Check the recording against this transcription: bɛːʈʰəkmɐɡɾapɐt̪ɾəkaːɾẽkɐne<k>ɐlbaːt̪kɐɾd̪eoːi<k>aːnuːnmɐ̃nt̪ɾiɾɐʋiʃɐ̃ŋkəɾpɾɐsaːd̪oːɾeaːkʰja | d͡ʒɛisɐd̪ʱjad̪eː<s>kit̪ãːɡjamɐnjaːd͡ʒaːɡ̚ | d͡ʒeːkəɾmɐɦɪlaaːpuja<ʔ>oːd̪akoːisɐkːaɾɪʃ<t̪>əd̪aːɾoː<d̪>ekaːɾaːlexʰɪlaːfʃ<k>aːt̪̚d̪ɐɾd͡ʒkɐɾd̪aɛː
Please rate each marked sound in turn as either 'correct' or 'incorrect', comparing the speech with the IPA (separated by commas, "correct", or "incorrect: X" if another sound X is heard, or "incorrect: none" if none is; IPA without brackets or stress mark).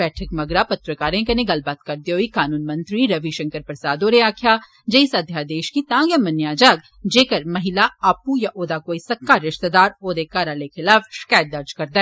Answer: incorrect: ɡ, correct, incorrect: ʃ, correct, correct, correct, correct